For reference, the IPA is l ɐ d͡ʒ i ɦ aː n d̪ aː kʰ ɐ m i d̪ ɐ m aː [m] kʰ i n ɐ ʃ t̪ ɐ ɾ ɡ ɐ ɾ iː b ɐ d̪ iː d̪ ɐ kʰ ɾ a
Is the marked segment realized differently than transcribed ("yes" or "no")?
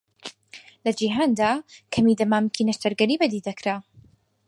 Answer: no